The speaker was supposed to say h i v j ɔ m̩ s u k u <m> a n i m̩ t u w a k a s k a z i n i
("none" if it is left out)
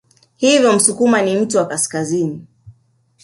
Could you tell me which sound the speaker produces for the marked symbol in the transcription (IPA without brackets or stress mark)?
m